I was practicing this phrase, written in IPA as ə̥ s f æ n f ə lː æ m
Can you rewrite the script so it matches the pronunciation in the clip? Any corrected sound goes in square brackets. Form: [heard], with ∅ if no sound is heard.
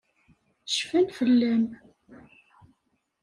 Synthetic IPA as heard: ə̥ [ʃ] f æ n f ə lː æ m